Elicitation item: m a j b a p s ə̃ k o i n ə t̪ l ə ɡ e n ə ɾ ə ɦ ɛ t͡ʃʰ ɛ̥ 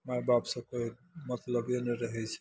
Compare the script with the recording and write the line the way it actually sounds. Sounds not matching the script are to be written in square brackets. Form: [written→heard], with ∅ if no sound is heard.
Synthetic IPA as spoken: m a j b a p s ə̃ k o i [n→m] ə t̪ l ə [ɡ→b] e n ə ɾ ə ɦ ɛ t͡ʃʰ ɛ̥